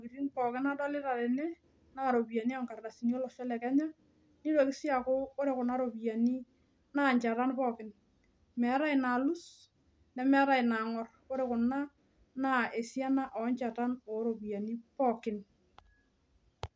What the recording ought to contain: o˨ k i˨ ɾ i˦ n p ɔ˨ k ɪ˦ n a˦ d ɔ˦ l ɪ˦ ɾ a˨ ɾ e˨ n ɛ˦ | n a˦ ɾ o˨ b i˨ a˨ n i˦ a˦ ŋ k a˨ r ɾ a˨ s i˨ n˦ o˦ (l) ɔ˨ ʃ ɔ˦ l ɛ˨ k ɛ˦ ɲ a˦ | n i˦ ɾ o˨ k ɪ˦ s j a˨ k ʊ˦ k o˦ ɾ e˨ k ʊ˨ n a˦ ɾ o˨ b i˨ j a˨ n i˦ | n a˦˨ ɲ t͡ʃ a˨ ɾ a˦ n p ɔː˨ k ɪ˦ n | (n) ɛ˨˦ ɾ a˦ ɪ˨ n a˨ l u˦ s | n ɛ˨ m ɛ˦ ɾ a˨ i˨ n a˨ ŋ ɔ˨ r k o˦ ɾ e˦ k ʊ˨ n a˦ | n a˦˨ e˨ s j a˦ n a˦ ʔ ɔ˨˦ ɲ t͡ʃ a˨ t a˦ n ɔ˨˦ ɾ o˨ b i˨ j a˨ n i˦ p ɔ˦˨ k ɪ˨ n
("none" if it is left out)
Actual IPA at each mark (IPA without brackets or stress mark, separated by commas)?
l, m